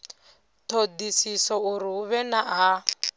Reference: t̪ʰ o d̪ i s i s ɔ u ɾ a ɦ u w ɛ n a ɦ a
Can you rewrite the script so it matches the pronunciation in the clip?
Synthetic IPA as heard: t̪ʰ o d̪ i s i s ɔ u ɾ i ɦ u β ɛ n a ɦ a

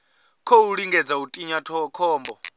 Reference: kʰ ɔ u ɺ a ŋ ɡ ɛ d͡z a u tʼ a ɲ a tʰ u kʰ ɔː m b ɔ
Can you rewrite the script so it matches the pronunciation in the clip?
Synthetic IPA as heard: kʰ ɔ u ɺ i ŋ ɡ ɛ d͡z a u tʼ i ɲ a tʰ ɔ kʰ ɔː m b ɔ

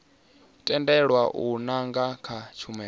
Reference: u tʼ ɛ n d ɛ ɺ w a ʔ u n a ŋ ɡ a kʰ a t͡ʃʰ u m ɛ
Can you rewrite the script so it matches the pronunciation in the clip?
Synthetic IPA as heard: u tʼ ɛ n d ɛ ɺ w a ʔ u n a ŋ ɡ a kʰ a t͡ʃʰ u m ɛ

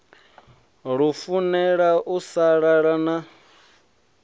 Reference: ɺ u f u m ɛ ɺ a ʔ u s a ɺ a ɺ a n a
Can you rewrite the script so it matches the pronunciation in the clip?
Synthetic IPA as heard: ɺ u f u n ɛ ɺ a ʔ u s a ɺ a ɺ a n a

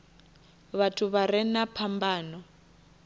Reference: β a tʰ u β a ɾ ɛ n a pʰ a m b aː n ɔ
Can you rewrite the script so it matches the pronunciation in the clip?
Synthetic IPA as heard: β a tʰ u β a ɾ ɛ n a pʰ a m b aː n ɔ

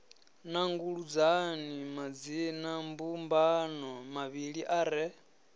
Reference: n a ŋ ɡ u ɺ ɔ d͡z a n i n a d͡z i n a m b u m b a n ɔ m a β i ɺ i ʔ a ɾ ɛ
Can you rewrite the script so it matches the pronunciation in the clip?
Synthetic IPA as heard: n a ŋ ɡ u ɺ u d͡z a n i m a d͡z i n a m b u m b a n ɔ m a β i ɺ i ʔ a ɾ ɛ

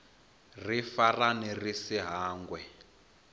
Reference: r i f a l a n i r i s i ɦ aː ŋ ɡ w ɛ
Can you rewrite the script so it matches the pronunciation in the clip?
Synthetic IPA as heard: r i f a r a n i r i s i ɦ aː ŋ ɡ w ɛ

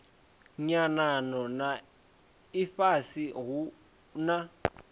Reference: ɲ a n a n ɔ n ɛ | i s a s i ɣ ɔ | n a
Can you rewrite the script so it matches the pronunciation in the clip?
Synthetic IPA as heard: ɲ a n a n ɔ n a | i f a s i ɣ u | n a

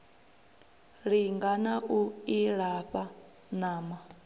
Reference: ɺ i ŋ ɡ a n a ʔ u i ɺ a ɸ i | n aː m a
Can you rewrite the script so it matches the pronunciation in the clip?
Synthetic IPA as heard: ɺ i ŋ ɡ a n a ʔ u i ɺ a ɸ a | n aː m a

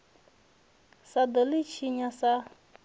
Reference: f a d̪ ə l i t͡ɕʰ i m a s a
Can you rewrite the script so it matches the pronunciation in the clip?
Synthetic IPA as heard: s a d̪ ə l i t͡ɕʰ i ɲ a s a

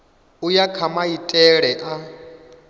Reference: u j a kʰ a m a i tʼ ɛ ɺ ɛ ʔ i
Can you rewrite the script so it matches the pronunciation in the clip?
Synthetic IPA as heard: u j a kʰ a m a i tʼ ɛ ɺ ɛ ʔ a

